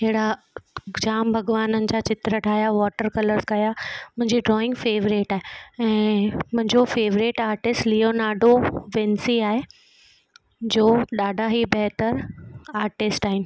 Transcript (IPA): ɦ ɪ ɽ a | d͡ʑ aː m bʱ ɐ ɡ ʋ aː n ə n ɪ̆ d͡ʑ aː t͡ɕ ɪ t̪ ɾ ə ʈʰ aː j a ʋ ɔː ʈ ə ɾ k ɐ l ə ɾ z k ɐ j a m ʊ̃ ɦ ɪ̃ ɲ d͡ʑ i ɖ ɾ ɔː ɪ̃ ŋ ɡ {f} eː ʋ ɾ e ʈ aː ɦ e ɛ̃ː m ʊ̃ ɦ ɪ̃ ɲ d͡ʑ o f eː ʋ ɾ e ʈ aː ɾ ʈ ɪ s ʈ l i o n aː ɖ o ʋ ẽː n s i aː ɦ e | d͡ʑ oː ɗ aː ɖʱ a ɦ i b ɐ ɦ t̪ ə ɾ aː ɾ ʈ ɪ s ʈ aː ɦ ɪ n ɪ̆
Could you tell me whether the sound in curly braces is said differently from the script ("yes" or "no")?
no